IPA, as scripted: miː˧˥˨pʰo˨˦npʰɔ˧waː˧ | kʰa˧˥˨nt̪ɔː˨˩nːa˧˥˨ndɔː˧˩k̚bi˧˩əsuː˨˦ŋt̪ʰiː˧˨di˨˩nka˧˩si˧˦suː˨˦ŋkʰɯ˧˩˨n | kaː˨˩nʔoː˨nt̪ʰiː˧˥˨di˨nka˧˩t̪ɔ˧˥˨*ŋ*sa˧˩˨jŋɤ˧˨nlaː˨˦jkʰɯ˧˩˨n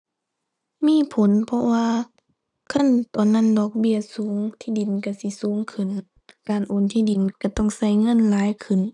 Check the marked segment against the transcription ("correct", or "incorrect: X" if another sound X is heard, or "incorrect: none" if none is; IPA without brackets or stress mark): correct